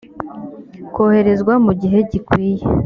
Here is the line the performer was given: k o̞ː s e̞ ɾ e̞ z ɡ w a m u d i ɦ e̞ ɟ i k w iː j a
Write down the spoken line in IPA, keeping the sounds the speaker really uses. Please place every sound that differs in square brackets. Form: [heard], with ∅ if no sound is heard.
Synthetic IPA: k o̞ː [h] e̞ ɾ e̞ z ɡ w a m u [ɟ] i ɦ e̞ ɟ i k w iː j [e]